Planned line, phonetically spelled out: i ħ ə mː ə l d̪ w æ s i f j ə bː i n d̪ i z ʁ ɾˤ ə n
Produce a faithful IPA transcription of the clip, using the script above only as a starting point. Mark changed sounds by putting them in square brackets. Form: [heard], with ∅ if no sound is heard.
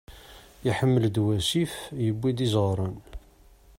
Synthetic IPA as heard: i ħ ə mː ə l d̪ w æ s i f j ə bː i [∅] d̪ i z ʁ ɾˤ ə n